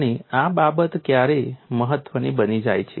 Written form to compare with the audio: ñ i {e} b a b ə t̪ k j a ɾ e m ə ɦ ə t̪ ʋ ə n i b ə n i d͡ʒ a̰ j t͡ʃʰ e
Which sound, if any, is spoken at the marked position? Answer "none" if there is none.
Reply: a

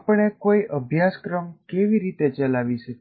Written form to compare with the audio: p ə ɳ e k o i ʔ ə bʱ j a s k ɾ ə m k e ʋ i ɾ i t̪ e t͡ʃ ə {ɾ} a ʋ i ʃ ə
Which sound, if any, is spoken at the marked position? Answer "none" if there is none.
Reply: l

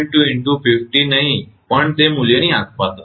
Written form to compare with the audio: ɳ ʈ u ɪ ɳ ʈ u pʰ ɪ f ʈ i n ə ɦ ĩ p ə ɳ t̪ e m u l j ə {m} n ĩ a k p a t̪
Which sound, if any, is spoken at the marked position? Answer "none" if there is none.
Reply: none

